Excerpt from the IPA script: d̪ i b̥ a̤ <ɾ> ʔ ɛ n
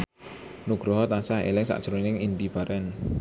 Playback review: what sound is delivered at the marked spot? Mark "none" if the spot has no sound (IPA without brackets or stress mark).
ɾ